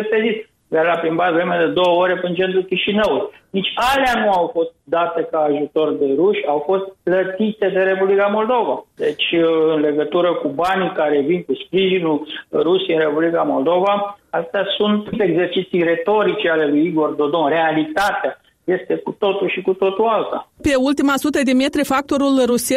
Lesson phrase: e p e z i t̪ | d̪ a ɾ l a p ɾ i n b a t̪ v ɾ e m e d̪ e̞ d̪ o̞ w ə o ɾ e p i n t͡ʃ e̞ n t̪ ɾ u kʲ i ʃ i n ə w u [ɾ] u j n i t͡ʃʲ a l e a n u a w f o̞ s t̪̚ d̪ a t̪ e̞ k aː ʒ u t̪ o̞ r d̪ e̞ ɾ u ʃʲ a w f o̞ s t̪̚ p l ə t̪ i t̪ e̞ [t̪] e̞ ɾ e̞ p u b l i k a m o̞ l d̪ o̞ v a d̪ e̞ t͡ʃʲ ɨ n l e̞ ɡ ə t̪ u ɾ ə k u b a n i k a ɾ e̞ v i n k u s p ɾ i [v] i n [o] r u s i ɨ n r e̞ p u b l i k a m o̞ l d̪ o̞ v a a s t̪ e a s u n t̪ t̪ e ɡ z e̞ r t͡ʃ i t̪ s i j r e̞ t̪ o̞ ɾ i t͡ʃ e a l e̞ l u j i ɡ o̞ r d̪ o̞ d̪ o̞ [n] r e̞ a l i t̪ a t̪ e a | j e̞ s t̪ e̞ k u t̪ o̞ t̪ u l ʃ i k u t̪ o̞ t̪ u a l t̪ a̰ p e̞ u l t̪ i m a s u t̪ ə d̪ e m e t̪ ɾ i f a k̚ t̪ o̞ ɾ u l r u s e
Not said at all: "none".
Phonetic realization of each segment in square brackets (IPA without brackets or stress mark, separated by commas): l, d̪, ʒ, u, n